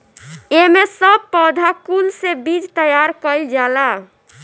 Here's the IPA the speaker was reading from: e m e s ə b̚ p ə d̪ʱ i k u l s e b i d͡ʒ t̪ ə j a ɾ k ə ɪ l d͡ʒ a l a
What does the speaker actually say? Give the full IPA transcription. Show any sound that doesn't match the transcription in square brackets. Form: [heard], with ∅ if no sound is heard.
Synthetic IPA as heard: e m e s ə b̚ p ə d̪ʱ [a] k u l s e b i d͡ʒ t̪ ə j a ɾ k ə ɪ l d͡ʒ a l a